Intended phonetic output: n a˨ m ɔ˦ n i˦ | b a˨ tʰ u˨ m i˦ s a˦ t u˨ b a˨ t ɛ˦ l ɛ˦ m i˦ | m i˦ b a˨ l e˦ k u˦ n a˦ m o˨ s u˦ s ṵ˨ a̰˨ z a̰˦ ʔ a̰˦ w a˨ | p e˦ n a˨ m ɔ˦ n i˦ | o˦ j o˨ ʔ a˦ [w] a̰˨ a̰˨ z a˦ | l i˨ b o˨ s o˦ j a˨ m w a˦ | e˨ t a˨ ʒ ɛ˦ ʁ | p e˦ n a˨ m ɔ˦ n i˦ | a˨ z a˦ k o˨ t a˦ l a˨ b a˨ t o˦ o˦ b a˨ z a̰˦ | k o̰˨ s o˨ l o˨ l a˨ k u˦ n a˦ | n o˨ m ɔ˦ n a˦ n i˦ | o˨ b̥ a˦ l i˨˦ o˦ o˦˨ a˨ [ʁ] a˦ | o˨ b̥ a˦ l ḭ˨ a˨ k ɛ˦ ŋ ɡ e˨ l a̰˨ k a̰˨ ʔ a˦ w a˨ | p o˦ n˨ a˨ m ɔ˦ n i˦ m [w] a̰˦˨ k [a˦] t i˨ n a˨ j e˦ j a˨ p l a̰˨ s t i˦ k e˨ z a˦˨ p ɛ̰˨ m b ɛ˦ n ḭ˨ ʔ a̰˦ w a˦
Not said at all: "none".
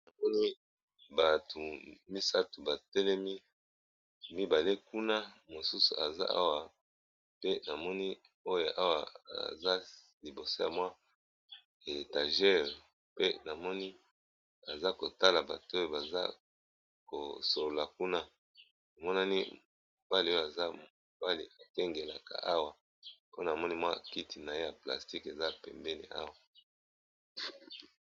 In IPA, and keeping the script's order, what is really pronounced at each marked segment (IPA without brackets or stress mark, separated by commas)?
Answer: w, z, w, i˦